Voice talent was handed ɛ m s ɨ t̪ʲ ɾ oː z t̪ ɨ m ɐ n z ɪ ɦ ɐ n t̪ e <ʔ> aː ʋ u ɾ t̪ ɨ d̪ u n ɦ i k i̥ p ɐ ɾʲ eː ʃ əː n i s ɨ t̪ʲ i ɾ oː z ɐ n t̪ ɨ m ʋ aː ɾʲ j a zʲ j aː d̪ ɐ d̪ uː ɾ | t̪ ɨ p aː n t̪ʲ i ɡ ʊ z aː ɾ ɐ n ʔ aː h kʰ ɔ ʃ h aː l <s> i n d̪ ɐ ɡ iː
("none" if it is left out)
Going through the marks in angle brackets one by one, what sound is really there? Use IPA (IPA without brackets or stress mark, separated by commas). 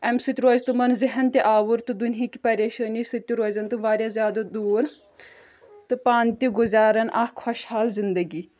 ʔ, z